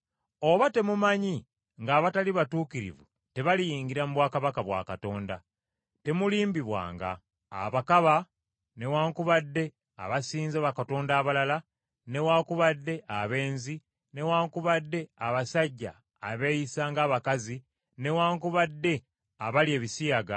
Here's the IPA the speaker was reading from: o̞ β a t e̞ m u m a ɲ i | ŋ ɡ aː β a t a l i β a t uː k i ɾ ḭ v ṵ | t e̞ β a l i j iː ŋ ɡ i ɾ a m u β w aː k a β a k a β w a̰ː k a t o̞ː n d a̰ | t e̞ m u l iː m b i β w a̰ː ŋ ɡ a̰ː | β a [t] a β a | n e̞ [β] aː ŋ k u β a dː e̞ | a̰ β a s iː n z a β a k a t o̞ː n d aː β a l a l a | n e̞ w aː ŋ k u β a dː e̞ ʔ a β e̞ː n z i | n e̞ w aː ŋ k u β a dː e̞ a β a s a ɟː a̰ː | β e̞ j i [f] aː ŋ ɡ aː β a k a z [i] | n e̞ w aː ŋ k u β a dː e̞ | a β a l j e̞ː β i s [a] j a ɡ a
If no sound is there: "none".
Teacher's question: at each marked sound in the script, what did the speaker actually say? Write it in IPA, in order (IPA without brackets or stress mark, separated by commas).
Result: k, w, s, i, i